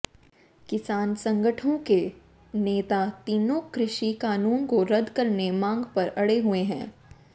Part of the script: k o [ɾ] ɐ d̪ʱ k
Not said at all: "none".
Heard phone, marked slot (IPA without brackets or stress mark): ɾ